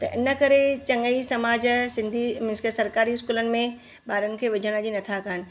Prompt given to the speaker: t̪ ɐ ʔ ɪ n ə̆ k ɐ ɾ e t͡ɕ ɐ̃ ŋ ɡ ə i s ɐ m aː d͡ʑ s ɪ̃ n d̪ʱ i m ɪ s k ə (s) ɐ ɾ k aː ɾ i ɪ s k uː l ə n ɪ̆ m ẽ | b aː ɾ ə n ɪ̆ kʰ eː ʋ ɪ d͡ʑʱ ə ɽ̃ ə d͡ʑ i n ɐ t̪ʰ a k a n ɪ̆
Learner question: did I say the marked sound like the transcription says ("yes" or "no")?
yes